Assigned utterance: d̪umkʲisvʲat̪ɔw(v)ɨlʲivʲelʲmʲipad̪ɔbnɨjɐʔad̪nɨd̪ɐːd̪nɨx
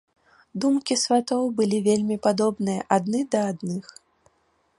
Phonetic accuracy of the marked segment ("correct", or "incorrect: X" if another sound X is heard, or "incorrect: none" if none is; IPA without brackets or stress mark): incorrect: b